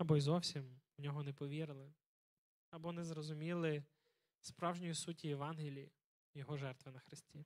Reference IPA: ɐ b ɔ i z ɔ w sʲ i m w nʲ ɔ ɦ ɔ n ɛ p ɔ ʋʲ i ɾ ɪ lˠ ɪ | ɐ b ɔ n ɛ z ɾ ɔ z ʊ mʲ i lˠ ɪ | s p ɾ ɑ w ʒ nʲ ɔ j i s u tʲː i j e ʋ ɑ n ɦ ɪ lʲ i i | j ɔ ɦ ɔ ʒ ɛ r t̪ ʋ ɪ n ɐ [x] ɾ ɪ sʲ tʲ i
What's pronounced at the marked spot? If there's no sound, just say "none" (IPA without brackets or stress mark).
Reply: x